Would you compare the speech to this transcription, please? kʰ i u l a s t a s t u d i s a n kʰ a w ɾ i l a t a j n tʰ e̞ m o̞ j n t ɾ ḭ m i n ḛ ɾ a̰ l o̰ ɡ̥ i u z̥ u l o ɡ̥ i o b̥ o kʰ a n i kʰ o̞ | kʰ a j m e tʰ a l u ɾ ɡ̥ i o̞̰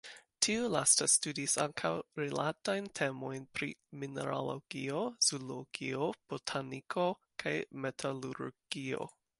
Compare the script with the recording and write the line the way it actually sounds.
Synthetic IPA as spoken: tʰ i u l a s t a s t u d i s a ŋ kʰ a w ɾ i l a t a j n tʰ e̞ m o̞ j n p ɾ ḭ m i n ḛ ɾ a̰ l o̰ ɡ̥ i o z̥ u l o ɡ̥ i o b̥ o tʰ a n i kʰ o̞ | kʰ a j m e tʰ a l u ɾ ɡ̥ i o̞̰